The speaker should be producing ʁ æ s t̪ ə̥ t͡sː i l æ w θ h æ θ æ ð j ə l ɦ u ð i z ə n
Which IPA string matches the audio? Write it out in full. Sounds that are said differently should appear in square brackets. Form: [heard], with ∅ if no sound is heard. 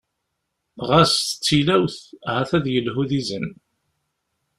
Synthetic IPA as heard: ʁ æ s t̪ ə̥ t͡sː i l æ w θ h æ θ æ ð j ə l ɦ u ð i z ə n